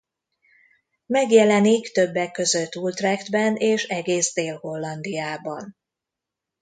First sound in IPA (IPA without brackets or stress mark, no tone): m